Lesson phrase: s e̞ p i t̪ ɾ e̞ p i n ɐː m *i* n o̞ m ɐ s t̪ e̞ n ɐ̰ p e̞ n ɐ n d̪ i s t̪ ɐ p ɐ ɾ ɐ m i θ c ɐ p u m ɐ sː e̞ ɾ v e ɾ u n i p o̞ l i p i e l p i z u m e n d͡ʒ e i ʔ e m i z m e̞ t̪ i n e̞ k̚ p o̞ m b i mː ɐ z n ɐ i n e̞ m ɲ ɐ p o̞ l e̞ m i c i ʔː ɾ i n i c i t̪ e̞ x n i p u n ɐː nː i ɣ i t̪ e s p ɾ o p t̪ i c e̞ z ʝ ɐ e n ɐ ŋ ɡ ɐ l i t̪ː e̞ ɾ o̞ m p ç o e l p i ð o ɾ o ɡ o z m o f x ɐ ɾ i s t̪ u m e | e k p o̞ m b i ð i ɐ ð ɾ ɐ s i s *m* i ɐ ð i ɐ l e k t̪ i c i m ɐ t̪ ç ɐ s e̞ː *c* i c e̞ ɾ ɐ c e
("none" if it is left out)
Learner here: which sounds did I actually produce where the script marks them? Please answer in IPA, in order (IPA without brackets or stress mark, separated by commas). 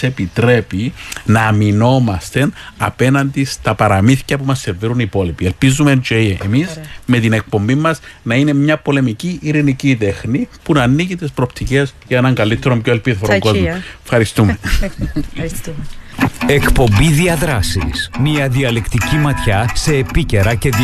i, m, p